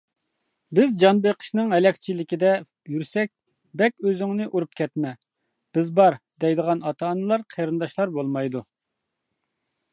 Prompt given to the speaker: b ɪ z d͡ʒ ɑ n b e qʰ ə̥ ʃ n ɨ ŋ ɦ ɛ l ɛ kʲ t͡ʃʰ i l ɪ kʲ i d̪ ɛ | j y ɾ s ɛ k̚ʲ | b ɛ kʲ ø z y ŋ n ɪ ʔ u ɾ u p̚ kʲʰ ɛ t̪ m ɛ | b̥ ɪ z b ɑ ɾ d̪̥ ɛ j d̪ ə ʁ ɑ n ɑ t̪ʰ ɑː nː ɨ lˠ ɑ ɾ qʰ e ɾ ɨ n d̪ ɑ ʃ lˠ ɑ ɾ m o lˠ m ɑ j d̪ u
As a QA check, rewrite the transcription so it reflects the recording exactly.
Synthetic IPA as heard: b ɪ z d͡ʒ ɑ n b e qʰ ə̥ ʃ n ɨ ŋ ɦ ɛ l ɛ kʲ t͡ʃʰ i l ɪ kʲ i d̪ ɛ | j y ɾ s ɛ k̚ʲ | b ɛ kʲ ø z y ŋ n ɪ ʔ u ɾ u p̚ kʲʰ ɛ t̪ m ɛ | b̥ ɪ z b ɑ ɾ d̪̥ ɛ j d̪ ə ʁ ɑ n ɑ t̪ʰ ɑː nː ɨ lˠ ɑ ɾ qʰ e ɾ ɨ n d̪ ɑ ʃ lˠ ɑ ɾ b o lˠ m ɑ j d̪ u

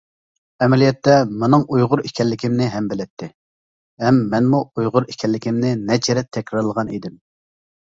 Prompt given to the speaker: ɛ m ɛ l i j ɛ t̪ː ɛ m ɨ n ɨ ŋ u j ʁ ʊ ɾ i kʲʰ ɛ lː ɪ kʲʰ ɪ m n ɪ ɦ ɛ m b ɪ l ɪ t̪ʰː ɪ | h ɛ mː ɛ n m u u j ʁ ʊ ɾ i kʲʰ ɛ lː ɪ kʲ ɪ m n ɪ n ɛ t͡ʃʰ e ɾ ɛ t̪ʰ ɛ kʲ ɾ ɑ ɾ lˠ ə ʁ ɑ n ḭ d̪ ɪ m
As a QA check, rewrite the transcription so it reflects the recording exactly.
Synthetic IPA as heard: ɛ m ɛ l i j ɛ t̪ː ɛ m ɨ n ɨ ŋ u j ʁ ʊ ɾ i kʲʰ ɛ lː ɪ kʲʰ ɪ m n ɪ ɦ ɛ m b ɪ l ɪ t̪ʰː ɪ | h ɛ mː ɛ n m u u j ʁ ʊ ɾ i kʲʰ ɛ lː ɪ kʲ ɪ m n ɪ n ɛ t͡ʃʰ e ɾ ɛ t̪ʰ ɛ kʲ ɾ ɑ ɾ lˠ ə ʁ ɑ n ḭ d̪ ɪ m

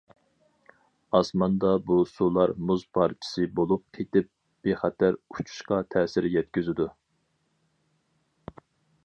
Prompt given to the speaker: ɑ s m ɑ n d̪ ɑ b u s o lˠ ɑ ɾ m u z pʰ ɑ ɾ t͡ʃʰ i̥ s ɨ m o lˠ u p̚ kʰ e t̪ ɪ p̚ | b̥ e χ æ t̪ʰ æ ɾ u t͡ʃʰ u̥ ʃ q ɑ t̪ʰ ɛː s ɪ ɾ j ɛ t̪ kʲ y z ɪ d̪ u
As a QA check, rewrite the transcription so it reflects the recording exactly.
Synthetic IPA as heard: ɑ s m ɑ n d̪ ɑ b u s u lˠ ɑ ɾ m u z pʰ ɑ ɾ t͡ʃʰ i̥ s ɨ b o lˠ u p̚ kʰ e t̪ ɪ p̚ | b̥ e χ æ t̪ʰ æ ɾ u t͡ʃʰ u̥ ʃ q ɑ t̪ʰ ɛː s ɪ ɾ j ɛ t̪ kʲ y z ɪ d̪ u

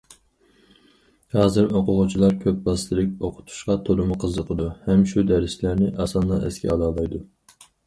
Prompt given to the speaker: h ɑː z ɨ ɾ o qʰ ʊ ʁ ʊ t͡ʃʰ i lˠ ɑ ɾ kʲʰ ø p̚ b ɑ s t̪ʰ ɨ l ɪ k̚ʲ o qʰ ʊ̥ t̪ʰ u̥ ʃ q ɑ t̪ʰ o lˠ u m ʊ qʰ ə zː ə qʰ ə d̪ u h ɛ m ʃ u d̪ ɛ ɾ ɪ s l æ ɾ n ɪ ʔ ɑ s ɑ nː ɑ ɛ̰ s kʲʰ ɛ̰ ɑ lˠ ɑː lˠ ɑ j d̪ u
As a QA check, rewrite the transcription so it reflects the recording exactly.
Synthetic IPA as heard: h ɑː z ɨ ɾ o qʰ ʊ ʁ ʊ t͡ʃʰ i lˠ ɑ ɾ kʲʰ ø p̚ b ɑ s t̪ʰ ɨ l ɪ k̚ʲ o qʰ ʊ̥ t̪ʰ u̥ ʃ q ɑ t̪ʰ o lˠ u m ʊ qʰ ə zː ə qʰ ə d̪ u h ɛ m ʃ u d̪ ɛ ɾ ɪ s l æ ɾ n ɪ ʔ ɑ s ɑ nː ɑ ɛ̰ s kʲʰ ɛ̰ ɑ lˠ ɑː lˠ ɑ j d̪ u

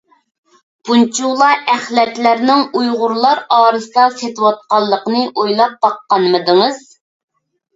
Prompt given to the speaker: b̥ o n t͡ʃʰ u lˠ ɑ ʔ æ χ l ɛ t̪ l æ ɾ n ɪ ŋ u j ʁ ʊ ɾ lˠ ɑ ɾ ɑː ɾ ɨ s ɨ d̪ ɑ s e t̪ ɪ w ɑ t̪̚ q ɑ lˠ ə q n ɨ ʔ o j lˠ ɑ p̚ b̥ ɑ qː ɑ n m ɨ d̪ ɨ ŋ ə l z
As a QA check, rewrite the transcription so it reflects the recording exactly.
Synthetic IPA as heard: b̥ u n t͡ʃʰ u lˠ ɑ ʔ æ χ l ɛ t̪ l æ ɾ n ɪ ŋ u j ʁ ʊ ɾ lˠ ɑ ɾ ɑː ɾ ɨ s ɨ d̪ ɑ s e t̪ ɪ w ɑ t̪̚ q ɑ lˠː ə q n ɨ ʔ o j lˠ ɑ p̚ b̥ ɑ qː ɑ n m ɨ d̪ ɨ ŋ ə z

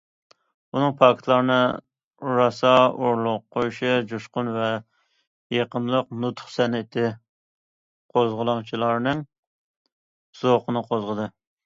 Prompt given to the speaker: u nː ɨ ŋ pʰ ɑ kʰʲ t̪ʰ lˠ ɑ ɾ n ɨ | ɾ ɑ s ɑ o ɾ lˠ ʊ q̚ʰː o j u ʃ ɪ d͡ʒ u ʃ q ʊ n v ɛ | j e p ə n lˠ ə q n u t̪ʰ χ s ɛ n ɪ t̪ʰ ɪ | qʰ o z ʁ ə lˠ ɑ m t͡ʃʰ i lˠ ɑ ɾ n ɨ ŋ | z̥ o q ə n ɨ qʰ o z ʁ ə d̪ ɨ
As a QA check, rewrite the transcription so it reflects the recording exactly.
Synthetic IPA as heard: u n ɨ ŋ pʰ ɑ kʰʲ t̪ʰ lˠ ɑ ɾ n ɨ | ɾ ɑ s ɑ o ɾ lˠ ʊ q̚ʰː o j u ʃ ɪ d͡ʒ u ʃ q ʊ n v ɛ | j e q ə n lˠ ə q n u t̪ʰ χ s ɛ n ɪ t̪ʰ ɪ | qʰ o z ʁ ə lˠ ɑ ŋ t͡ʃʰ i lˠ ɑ ɾ n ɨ ŋ | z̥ o q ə n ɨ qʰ o z ʁ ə d̪ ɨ

